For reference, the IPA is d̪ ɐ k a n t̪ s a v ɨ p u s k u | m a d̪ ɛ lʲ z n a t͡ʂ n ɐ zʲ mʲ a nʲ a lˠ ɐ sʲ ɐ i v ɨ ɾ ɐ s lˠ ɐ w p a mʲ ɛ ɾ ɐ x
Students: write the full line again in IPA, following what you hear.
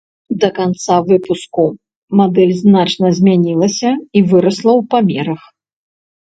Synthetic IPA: d̪ ɐ k a n t̪ s a v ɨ p u s k u | m a d̪ ɛ lʲ z n a t͡ʂ n ɐ zʲ mʲ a nʲ i lˠ ɐ sʲ ɐ i v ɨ ɾ ɐ s lˠ ɐ w p a mʲ ɛ ɾ ɐ x